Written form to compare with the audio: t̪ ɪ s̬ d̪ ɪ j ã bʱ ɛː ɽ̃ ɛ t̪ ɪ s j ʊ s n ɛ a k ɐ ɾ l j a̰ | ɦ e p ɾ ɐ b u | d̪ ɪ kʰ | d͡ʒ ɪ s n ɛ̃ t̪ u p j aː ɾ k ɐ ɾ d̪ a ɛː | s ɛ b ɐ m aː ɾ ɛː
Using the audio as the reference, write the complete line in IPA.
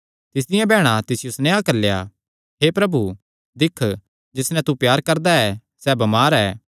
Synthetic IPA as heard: t̪ ɪ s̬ d̪ ɪ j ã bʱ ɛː ɽ̃ a t̪ ɪ s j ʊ s n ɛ a k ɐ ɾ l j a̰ | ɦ e p ɾ ɐ b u | d̪ ɪ kʰ | d͡ʒ ɪ s n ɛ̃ t̪ u p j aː ɾ k ɐ ɾ d̪ a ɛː | s ɛ b ɐ m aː ɾ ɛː